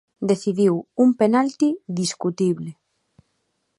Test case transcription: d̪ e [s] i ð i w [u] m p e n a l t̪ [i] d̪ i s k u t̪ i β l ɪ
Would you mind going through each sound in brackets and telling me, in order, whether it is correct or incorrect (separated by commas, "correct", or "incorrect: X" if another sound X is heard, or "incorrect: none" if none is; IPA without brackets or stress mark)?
incorrect: θ, correct, correct